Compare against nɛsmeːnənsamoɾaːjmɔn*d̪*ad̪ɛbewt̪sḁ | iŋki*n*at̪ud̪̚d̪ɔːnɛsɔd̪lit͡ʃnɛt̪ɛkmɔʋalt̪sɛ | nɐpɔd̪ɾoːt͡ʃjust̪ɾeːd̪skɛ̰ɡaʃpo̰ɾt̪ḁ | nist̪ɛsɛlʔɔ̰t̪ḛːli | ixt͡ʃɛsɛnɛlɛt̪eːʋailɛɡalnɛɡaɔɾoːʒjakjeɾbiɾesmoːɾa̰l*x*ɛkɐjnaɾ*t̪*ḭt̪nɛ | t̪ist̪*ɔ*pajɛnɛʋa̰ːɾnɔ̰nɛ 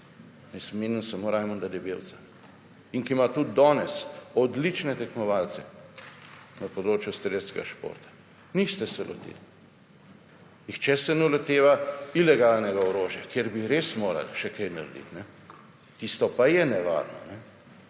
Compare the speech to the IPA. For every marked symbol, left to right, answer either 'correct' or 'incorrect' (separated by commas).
correct, incorrect, incorrect, incorrect, correct